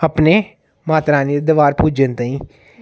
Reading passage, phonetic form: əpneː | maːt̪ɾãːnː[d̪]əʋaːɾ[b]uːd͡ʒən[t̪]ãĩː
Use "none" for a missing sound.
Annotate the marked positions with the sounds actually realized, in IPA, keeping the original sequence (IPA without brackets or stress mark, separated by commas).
d̪, p, t̪